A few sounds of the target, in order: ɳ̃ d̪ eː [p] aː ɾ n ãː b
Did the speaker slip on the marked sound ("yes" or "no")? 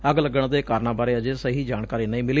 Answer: yes